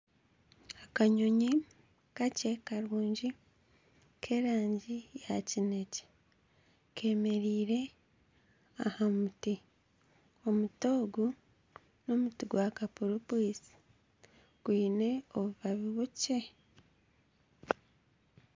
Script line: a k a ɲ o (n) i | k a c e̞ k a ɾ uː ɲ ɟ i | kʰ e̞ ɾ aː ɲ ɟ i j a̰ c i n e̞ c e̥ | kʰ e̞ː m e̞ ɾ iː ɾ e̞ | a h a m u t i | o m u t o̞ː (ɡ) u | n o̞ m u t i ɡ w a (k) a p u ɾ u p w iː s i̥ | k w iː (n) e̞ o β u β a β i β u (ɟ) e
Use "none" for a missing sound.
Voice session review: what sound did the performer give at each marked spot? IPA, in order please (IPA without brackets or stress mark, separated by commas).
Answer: ɲ, ɡ, k, n, c